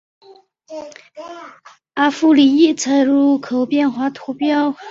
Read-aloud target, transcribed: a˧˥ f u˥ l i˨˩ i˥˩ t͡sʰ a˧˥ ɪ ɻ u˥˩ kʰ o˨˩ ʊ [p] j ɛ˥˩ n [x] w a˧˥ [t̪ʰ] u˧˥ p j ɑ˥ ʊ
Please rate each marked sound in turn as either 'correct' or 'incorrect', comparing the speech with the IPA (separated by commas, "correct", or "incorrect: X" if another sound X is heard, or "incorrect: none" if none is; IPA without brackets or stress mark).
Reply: correct, correct, correct